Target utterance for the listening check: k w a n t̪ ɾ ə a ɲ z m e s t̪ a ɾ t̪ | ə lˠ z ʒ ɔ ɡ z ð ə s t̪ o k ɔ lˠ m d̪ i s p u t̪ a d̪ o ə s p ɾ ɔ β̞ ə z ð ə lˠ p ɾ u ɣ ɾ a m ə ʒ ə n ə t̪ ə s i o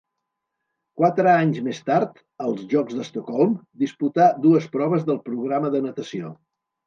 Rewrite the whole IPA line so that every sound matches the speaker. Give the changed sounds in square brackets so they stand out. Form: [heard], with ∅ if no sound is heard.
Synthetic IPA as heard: k w a [∅] t̪ ɾ ə a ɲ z m e s t̪ a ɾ t̪ | ə lˠ z ʒ ɔ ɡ z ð ə s t̪ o k ɔ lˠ m d̪ i s p u t̪ a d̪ [u] ə s p ɾ ɔ β̞ ə z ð ə lˠ p ɾ u ɣ ɾ a m ə [ð] ə n ə t̪ ə s i o